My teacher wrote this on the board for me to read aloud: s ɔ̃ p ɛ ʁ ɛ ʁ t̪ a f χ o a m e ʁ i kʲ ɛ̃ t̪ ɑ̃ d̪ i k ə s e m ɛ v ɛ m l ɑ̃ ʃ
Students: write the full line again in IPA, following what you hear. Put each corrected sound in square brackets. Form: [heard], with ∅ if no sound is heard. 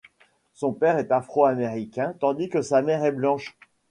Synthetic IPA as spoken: s ɔ̃ p ɛ ʁ ɛ [∅] t̪ a f χ o a m e ʁ i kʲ ɛ̃ t̪ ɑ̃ d̪ i k ə s [a] m ɛ [ʁ] ɛ [b] l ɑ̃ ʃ